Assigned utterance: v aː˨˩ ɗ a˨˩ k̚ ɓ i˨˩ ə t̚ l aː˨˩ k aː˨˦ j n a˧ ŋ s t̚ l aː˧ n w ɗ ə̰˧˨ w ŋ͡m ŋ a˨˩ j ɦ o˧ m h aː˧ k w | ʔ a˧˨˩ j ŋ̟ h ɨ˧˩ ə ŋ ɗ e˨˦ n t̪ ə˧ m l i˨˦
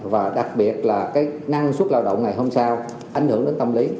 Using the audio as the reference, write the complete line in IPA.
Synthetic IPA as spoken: v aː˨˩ ɗ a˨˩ k̚ ɓ i˨˩ ə t̚ l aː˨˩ k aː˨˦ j n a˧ ŋ s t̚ l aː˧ w ɗ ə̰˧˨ w ŋ͡m ŋ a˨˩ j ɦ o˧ m s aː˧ w | ʔ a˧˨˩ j ŋ̟ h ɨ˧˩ ə ŋ ɗ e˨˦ n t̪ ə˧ m l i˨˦